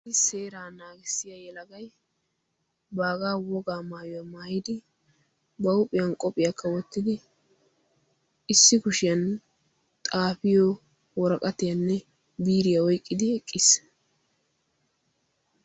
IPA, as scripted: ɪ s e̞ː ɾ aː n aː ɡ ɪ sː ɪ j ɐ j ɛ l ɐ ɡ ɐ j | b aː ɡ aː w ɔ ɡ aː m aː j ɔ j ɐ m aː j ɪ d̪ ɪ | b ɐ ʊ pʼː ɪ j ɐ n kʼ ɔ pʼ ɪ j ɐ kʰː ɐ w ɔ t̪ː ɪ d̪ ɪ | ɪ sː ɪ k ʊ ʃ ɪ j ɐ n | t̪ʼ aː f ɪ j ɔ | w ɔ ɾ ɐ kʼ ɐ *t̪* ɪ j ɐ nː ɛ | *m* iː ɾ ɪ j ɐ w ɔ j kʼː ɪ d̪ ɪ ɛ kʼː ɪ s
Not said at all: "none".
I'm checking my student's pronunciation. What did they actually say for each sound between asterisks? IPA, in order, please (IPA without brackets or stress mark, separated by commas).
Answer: t̪, b